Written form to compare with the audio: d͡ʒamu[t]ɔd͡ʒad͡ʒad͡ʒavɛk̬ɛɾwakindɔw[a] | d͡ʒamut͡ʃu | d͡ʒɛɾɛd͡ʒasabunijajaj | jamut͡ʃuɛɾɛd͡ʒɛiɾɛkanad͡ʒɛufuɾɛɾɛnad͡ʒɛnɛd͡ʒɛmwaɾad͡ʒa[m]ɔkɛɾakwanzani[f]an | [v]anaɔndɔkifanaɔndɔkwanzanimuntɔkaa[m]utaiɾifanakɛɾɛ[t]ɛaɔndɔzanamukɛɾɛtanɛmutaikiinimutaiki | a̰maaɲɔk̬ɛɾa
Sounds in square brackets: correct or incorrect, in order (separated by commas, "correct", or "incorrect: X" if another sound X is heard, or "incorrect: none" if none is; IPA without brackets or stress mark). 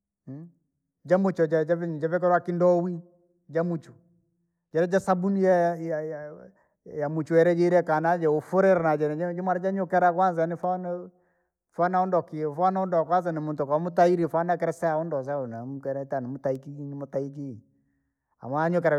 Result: incorrect: t͡ʃ, incorrect: i, incorrect: ɲ, correct, incorrect: f, correct, incorrect: s